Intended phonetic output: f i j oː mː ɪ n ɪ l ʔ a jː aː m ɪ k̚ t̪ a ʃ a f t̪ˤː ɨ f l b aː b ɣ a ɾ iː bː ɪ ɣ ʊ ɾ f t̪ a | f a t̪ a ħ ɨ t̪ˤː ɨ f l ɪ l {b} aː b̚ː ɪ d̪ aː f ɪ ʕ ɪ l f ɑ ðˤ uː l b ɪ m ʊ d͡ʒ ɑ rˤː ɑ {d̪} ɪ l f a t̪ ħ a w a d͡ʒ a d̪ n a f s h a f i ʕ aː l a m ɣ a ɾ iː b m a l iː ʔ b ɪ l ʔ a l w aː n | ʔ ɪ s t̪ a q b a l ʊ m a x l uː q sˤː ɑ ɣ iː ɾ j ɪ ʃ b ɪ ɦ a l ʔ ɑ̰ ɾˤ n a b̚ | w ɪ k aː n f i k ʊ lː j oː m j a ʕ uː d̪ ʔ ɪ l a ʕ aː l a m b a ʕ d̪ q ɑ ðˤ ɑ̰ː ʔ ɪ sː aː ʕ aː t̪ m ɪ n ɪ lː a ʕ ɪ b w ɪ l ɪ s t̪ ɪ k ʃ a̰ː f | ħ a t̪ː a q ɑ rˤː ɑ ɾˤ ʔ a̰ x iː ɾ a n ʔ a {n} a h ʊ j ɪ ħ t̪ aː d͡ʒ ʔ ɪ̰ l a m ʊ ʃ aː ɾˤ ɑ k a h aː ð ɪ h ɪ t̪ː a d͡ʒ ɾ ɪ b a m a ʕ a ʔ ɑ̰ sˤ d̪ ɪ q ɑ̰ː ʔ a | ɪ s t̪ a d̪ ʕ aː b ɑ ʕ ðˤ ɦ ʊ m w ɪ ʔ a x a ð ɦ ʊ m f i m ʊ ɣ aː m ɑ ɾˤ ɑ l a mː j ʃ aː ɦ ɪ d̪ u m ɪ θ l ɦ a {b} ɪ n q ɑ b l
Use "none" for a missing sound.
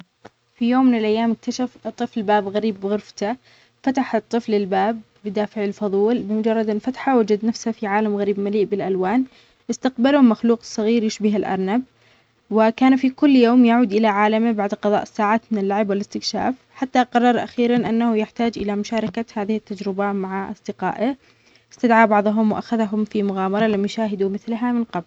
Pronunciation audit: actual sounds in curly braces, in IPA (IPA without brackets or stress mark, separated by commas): b, d̪, nː, m